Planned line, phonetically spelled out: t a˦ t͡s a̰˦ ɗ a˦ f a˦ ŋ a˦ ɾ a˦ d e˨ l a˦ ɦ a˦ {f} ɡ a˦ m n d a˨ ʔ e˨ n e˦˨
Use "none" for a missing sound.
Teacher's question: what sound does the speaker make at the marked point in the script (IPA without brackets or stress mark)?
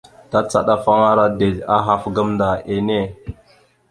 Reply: f